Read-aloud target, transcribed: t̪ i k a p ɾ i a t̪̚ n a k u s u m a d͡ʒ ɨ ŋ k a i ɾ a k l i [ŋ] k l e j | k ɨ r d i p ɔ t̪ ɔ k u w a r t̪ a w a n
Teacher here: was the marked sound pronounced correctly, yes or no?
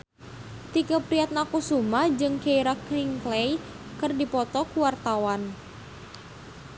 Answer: yes